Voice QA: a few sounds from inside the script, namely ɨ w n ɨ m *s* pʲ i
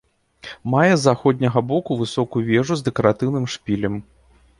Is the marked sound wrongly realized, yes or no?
yes